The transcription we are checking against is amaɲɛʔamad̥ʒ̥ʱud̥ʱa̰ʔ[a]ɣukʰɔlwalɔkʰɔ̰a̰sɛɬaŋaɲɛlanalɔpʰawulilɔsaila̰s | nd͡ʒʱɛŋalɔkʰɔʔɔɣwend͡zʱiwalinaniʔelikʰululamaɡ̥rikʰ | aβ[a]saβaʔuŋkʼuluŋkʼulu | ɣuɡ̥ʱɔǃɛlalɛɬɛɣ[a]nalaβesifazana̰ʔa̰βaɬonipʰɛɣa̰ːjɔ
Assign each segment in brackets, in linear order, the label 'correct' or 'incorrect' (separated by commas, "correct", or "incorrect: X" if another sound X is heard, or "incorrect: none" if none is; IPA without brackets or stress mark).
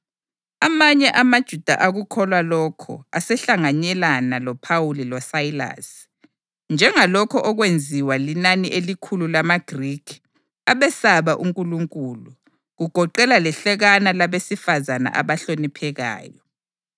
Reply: correct, incorrect: ɛ, correct